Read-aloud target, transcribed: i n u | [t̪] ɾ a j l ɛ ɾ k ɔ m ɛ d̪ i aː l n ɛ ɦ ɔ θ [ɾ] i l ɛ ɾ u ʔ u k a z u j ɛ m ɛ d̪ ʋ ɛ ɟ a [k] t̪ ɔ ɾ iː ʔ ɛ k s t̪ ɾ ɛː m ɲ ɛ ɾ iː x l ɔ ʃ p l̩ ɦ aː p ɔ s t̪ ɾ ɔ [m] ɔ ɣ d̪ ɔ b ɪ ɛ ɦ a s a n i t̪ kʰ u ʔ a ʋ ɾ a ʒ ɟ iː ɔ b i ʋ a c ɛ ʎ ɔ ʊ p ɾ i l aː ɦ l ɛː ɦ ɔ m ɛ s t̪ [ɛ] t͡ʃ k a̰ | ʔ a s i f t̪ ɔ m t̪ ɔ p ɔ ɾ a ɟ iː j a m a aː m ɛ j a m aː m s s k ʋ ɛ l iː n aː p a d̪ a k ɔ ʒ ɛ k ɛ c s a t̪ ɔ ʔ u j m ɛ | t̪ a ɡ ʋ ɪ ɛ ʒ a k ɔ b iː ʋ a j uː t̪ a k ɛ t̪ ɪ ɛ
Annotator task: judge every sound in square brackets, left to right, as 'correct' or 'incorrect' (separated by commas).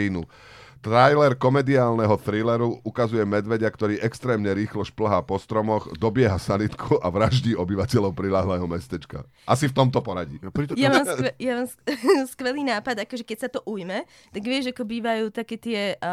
correct, correct, correct, correct, correct